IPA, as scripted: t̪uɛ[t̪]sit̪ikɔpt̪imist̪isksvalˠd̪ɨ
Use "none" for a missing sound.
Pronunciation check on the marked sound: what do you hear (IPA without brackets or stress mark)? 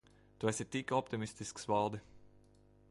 none